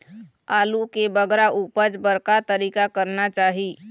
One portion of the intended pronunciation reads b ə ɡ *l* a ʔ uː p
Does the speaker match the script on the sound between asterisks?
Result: no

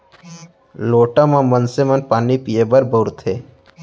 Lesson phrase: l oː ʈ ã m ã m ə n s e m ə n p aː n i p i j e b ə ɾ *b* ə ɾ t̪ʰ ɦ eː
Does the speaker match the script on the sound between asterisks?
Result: yes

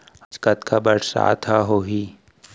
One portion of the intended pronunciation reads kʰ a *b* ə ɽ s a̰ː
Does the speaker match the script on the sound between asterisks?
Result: yes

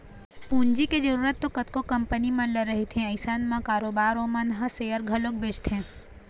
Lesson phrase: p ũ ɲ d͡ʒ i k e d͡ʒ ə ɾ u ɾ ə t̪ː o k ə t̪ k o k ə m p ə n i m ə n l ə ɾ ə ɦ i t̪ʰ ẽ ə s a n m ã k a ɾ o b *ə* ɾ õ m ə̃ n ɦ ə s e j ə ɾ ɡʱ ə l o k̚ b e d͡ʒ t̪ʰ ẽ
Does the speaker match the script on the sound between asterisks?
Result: no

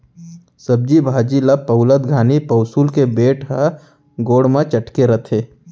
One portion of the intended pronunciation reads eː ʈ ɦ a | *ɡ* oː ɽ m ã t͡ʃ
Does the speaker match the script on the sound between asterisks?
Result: yes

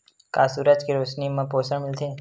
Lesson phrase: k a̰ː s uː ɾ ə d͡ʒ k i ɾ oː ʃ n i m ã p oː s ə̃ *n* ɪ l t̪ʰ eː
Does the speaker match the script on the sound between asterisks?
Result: no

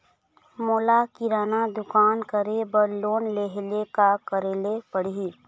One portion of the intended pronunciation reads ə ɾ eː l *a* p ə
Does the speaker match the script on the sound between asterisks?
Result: no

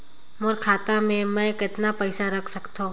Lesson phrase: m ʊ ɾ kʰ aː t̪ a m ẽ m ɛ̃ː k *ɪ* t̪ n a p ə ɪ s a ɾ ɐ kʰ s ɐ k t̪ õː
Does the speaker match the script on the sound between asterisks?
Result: yes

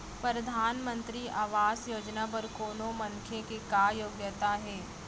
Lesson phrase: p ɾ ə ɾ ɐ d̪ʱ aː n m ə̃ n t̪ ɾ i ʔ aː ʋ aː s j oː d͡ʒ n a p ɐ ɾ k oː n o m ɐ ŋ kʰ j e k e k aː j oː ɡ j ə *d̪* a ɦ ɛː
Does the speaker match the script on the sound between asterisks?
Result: no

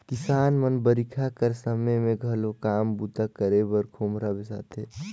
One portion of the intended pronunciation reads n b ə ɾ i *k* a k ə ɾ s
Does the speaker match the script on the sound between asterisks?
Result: no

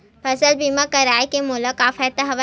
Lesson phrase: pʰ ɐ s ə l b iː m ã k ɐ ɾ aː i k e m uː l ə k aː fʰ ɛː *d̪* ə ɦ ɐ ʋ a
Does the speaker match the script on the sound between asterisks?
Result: no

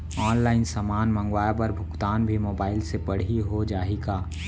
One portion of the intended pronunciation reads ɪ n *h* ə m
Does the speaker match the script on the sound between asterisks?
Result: no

